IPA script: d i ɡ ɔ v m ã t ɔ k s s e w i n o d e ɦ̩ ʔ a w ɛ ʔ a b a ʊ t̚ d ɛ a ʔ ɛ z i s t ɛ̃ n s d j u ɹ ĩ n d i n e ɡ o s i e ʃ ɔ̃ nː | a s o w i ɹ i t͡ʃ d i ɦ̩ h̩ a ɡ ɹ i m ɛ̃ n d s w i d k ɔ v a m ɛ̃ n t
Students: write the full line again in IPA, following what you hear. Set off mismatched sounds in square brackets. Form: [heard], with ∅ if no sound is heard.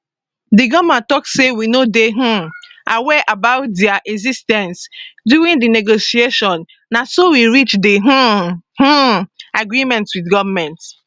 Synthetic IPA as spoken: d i ɡ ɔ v m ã t ɔ k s s e w i n o d e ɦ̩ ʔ a w ɛ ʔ a b a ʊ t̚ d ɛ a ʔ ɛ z i s t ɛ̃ n s d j u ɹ ĩ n d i n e ɡ o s i e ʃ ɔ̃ nː | a s o w i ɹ i t͡ʃ d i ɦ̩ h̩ a ɡ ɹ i m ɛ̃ n [t] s w i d [ɡ] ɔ v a m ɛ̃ n t